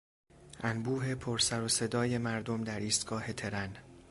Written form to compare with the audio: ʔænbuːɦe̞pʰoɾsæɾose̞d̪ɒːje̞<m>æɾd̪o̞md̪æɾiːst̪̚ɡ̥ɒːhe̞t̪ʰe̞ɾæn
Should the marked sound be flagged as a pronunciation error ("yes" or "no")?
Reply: no